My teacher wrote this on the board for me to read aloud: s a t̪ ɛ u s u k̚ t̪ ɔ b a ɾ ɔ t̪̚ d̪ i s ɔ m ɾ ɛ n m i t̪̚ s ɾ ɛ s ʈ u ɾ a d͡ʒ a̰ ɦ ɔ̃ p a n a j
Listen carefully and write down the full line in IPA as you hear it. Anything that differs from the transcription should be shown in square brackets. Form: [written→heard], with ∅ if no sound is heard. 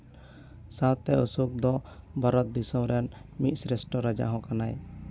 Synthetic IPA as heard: s a t̪ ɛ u s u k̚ [t̪→d̪] ɔ b a ɾ ɔ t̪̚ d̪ i s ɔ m ɾ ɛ n m i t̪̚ s ɾ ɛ s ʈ [u→ɔ] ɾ a d͡ʒ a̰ ɦ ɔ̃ [p→k] a n a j